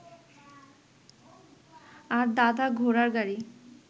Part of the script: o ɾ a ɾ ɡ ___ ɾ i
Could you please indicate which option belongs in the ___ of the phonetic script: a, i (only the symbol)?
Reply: a